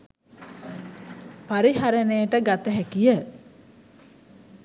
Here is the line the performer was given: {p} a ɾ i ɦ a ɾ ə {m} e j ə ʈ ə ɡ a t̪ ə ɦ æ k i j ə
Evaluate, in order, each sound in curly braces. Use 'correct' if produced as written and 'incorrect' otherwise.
correct, incorrect

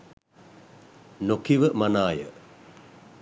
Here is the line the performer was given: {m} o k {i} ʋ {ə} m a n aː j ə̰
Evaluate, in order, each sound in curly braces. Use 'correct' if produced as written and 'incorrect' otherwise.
incorrect, correct, correct

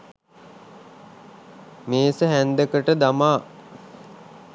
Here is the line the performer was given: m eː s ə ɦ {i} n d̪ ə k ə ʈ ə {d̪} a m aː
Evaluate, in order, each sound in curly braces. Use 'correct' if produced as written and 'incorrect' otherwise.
incorrect, correct

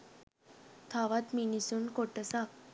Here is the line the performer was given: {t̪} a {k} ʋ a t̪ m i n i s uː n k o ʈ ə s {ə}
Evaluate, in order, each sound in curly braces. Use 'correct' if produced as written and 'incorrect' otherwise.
incorrect, incorrect, incorrect

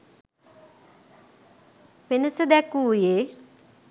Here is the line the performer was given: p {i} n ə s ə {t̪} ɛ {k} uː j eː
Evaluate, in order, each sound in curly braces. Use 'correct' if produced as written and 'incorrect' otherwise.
incorrect, incorrect, correct

